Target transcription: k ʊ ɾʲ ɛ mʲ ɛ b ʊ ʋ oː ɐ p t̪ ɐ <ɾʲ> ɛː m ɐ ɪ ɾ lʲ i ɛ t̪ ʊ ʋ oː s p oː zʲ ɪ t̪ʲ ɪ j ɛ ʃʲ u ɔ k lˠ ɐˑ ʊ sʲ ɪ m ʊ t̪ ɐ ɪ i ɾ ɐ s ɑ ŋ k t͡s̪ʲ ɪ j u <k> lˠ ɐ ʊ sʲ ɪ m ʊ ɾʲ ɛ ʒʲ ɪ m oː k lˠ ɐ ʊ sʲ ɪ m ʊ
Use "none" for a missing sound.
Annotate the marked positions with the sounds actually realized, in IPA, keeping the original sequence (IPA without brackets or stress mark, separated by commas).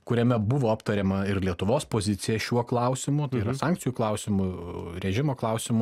ɾʲ, k